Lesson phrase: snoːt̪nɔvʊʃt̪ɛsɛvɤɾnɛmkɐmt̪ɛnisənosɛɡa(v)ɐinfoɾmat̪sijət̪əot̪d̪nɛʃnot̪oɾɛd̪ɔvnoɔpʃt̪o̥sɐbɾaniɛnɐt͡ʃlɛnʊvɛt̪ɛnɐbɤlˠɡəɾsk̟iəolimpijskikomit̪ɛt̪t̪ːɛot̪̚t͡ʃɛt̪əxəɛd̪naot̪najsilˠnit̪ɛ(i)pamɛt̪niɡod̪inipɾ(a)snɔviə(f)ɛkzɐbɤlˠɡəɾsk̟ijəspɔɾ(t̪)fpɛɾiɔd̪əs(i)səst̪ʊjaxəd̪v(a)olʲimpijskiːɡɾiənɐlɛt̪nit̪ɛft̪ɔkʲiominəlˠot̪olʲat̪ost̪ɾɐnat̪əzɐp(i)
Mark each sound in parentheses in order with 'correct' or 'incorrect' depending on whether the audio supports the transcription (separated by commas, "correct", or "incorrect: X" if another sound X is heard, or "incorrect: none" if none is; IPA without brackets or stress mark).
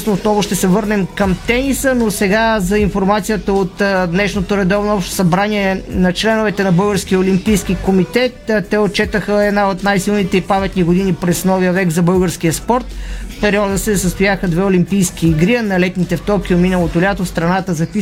incorrect: z, correct, incorrect: ɛ, incorrect: v, correct, incorrect: ɛ, incorrect: ɛ, correct